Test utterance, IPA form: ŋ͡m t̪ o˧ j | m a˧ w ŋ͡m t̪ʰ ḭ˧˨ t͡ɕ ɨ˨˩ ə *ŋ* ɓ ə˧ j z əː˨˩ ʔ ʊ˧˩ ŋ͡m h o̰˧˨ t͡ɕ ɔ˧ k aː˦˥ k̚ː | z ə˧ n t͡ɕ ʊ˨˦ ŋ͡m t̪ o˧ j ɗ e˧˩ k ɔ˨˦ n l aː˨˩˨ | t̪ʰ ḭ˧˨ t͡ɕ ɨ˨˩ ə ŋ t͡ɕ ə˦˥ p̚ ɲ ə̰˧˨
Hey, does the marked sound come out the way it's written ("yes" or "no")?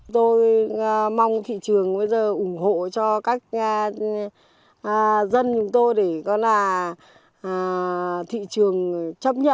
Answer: yes